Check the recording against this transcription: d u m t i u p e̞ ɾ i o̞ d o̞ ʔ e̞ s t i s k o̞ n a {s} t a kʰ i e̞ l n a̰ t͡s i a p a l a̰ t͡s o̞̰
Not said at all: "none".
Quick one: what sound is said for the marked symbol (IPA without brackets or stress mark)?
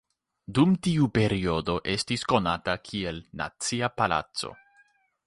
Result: none